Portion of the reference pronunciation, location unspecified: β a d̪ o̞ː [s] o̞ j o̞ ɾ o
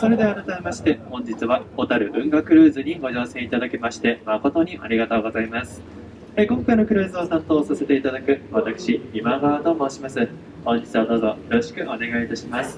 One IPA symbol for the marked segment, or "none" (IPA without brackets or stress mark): z